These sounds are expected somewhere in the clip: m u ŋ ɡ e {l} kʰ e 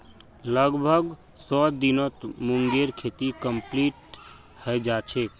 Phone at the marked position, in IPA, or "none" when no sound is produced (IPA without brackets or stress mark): ɾ